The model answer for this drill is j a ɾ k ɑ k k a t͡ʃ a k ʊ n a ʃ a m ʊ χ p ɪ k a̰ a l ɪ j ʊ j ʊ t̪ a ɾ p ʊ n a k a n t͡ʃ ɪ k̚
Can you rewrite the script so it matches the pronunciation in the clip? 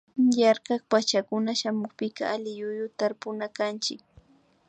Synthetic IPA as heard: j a ɾ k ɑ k p a t͡ʃ a k ʊ n a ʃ a m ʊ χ p ɪ k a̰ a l ɪ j ʊ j ʊ t̪ a ɾ p ʊ n a k a n t͡ʃ ɪ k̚